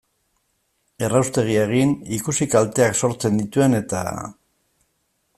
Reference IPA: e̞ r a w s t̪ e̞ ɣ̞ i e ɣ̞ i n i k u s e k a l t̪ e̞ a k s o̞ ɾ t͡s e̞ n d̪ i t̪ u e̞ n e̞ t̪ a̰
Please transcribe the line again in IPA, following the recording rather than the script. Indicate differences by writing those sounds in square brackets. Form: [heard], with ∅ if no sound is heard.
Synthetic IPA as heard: e̞ r a w s t̪ e̞ ɣ̞ i e ɣ̞ i n i k u s [i] k a l t̪ e̞ a k s o̞ ɾ t͡s e̞ n d̪ i t̪ u e̞ n e̞ t̪ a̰